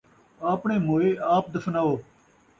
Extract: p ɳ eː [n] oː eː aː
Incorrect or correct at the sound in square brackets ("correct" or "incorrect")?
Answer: incorrect